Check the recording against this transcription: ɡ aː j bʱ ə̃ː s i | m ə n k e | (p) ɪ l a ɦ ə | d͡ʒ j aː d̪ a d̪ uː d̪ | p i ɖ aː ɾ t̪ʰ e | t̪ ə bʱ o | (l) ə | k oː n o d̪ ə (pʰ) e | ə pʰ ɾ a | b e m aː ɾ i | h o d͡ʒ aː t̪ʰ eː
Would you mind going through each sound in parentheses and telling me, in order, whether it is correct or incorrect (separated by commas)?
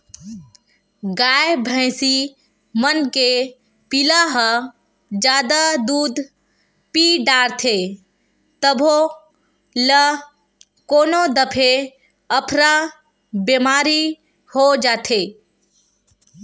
correct, correct, correct